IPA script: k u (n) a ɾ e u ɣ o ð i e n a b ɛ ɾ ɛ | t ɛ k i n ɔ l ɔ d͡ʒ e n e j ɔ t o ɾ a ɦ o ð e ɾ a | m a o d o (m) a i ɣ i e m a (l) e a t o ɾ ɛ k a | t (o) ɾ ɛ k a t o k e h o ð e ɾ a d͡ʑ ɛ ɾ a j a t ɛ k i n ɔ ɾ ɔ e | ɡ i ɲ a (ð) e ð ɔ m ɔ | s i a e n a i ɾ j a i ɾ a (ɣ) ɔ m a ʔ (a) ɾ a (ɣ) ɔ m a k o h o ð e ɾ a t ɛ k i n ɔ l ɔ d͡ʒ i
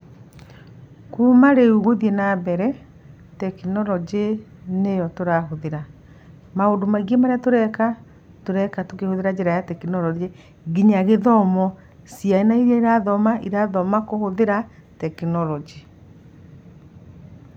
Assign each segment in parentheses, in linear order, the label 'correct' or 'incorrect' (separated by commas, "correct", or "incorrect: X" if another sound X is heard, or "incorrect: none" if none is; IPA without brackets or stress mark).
incorrect: m, correct, incorrect: ɾ, correct, incorrect: ɣ, incorrect: ð, incorrect: i, incorrect: ð